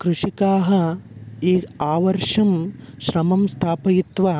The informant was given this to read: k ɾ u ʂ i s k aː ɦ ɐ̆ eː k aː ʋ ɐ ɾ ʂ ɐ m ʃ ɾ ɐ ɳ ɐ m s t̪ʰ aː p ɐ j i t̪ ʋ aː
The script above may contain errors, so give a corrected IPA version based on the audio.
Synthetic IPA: k ɾ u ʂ i k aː ɦ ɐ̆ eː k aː ʋ ɐ ɾ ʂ ɐ m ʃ ɾ ɐ m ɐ m s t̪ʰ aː p ɐ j i t̪ ʋ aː